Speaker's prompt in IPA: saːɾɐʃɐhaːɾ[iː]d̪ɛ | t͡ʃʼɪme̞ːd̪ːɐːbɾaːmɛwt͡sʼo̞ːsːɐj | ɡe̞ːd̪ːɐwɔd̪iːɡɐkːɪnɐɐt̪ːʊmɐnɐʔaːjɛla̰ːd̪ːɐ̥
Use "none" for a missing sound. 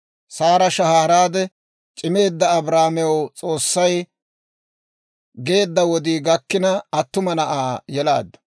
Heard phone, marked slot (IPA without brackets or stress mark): aː